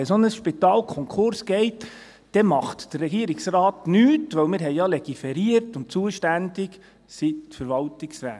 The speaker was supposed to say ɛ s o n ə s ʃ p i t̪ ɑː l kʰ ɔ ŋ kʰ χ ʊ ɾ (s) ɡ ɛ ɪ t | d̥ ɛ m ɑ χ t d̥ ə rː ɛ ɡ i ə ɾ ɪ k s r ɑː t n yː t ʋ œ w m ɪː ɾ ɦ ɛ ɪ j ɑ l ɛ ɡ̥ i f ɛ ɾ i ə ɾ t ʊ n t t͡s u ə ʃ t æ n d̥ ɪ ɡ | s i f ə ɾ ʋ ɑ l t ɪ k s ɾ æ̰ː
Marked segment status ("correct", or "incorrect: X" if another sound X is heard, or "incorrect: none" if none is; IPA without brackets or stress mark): correct